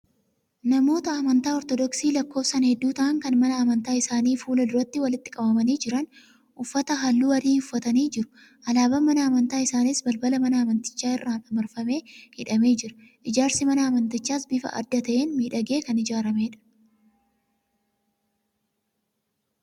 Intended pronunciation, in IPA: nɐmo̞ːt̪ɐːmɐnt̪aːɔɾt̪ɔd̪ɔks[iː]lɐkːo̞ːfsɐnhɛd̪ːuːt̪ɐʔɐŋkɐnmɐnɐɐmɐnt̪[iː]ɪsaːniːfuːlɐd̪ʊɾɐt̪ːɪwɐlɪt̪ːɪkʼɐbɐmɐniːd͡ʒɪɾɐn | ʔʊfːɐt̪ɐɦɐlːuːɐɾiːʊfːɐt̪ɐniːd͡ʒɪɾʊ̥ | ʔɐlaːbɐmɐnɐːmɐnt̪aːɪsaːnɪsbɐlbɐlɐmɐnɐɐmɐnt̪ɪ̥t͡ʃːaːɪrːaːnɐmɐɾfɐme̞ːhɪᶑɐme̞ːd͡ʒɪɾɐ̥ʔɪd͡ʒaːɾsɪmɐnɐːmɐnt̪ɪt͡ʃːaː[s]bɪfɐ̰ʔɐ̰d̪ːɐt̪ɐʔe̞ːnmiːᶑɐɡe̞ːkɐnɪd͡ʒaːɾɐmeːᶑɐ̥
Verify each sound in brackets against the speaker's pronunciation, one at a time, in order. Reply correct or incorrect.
correct, incorrect, correct

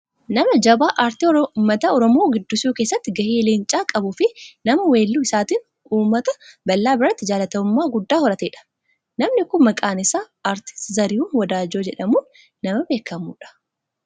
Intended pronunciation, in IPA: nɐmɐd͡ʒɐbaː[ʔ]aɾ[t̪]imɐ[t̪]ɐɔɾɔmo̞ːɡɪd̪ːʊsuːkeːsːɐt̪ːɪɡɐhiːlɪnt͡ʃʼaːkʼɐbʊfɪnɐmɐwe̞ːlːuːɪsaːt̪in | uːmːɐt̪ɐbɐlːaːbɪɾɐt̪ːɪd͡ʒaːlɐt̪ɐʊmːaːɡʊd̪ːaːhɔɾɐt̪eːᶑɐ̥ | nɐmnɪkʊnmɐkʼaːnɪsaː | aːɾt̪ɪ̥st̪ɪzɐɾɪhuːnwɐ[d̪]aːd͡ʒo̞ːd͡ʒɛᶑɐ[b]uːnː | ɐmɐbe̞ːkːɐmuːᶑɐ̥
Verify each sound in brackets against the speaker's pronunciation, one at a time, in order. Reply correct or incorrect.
correct, correct, correct, correct, incorrect

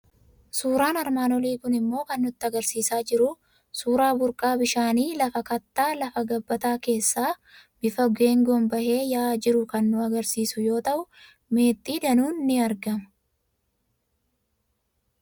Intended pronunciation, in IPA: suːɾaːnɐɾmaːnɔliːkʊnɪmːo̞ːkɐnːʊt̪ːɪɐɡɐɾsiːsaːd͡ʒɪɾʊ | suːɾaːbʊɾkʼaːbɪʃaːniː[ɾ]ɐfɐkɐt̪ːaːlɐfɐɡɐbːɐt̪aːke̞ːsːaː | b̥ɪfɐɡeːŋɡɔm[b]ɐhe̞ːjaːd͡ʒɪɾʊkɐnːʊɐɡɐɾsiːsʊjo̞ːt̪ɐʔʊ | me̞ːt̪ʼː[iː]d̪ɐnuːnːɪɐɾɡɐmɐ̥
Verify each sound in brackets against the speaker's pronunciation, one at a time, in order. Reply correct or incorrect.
incorrect, correct, correct

